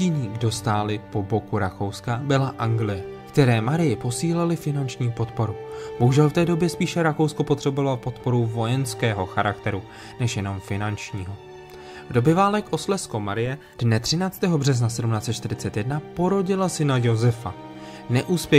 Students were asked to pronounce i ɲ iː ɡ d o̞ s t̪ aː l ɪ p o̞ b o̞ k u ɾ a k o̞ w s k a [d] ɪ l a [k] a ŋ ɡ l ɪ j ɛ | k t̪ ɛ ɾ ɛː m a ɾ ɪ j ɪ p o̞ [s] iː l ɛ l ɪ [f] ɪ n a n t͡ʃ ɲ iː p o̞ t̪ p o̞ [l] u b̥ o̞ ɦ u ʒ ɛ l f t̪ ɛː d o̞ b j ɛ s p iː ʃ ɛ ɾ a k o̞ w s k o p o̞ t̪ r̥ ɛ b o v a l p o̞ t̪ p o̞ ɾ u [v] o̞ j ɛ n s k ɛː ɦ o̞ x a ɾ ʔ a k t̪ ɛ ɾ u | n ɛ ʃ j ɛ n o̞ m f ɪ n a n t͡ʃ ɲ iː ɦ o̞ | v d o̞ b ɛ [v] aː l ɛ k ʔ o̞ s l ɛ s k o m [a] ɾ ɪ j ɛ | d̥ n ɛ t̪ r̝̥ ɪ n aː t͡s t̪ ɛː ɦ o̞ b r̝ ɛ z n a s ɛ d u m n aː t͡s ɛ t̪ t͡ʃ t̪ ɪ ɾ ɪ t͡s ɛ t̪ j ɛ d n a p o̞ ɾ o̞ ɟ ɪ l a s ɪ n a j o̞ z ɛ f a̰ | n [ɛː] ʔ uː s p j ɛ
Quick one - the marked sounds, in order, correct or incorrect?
incorrect, incorrect, correct, correct, incorrect, correct, correct, correct, incorrect

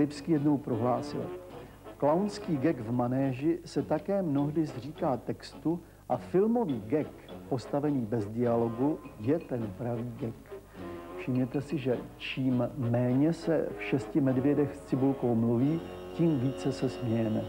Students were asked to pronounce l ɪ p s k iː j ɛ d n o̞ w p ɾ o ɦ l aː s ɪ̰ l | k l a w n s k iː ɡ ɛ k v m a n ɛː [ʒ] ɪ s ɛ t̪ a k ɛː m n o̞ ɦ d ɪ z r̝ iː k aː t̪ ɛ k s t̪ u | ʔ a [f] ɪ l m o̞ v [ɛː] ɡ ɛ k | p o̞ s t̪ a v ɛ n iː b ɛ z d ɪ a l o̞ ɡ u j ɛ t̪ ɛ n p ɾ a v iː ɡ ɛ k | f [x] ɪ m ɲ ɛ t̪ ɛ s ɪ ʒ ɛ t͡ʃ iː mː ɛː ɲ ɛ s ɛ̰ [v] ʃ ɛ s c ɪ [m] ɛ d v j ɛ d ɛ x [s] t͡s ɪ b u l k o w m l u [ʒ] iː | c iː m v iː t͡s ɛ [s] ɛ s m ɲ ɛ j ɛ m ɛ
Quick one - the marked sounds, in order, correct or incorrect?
correct, correct, incorrect, incorrect, incorrect, correct, correct, incorrect, correct

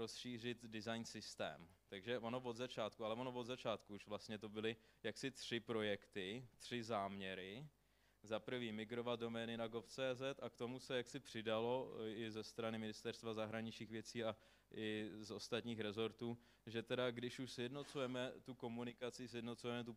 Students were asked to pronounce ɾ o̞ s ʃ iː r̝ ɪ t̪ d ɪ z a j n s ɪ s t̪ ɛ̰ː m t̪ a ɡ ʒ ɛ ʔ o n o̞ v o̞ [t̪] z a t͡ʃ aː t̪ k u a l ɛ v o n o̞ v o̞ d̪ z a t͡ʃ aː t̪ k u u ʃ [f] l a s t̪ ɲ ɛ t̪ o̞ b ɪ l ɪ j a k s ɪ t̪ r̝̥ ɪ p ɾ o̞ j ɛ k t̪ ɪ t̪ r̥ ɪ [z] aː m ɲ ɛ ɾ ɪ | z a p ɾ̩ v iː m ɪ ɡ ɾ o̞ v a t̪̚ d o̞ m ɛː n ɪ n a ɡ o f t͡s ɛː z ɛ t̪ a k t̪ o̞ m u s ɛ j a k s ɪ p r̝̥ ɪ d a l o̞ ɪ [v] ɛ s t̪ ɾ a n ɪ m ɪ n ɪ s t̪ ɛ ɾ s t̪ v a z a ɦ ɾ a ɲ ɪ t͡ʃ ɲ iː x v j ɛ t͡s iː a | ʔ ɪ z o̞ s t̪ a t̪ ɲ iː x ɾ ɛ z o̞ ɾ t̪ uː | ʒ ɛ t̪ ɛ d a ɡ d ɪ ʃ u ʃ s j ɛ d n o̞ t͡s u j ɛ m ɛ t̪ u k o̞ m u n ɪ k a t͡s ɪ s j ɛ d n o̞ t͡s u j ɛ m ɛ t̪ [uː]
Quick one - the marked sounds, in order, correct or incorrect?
incorrect, incorrect, correct, incorrect, incorrect

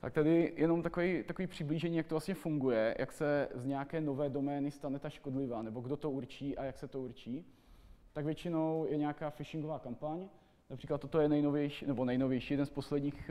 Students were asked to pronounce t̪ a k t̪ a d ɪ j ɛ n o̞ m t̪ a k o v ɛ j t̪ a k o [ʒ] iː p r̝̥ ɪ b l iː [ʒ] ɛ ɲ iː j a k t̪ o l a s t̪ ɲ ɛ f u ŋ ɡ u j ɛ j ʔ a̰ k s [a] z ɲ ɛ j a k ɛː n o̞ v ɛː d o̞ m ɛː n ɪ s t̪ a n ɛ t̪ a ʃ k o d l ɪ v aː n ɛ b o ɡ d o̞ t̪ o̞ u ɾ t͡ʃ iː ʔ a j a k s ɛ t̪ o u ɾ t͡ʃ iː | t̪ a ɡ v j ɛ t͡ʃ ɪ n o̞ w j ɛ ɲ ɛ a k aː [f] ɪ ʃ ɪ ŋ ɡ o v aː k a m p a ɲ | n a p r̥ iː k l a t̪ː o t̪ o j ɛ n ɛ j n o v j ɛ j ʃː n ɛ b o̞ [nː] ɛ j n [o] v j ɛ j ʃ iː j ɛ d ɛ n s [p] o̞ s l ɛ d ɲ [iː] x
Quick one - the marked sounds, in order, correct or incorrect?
incorrect, correct, incorrect, correct, incorrect, correct, correct, correct

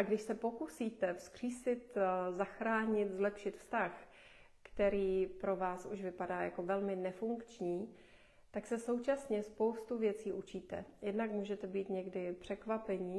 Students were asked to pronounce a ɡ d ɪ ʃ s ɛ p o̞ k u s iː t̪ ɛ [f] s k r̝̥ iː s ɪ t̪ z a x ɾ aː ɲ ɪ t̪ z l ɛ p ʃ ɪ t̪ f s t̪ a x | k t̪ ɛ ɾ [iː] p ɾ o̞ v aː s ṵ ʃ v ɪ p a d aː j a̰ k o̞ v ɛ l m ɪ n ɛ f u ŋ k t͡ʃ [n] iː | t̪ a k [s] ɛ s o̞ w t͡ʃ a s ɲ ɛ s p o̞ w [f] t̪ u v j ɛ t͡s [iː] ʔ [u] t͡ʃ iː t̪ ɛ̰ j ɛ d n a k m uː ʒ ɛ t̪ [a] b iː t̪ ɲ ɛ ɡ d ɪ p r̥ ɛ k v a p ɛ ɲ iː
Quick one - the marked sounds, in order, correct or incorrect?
correct, correct, incorrect, correct, incorrect, correct, correct, incorrect

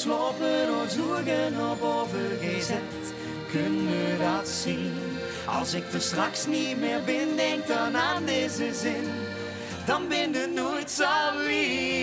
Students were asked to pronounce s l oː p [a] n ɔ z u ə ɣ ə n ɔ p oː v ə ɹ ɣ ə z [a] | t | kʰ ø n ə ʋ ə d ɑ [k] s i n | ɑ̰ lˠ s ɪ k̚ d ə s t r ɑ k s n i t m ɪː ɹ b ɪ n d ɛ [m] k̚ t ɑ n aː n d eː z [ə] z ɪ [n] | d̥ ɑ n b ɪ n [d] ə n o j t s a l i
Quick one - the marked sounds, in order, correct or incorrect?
incorrect, incorrect, incorrect, incorrect, correct, correct, correct

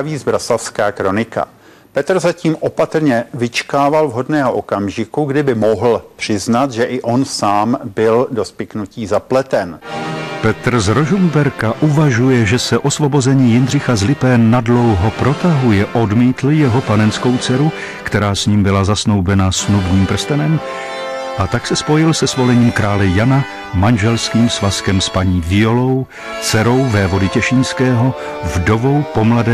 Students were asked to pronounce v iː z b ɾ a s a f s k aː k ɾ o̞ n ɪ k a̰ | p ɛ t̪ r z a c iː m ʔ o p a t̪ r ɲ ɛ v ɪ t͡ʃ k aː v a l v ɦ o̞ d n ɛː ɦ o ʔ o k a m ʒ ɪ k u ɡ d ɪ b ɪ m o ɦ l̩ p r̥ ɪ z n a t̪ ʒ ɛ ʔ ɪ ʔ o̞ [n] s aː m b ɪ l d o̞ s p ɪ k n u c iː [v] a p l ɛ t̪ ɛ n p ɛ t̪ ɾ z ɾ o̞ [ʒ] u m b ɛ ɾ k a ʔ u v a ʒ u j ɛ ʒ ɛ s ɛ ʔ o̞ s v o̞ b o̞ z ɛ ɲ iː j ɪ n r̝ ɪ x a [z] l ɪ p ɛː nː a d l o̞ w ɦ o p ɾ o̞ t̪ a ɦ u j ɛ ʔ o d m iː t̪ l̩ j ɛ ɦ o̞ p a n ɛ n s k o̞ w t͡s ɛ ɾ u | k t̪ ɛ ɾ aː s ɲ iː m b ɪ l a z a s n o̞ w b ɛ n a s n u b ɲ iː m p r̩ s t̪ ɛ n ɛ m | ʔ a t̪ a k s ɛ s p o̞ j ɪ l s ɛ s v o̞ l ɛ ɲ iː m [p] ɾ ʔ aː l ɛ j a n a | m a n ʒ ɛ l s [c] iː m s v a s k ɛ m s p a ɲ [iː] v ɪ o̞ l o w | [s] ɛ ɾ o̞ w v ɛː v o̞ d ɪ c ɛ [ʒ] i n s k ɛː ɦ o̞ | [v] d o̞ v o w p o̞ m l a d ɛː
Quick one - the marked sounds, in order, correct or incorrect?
correct, incorrect, correct, correct, incorrect, incorrect, correct, incorrect, incorrect, correct

